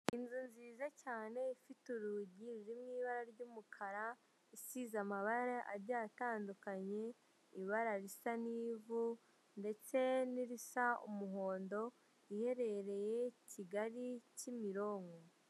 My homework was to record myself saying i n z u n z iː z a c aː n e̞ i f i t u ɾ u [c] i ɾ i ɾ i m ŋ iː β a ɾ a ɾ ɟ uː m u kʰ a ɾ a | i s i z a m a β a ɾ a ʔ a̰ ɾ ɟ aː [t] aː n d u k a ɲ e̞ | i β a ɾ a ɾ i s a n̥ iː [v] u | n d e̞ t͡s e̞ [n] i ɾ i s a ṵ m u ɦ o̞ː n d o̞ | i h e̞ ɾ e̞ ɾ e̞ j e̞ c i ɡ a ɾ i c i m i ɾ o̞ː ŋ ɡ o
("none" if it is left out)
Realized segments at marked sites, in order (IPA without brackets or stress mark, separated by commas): ɟ, t, v, n